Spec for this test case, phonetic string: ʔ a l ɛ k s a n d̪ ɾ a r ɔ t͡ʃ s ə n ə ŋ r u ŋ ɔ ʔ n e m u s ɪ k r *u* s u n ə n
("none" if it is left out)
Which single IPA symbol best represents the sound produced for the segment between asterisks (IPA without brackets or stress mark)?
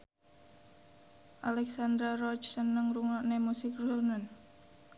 u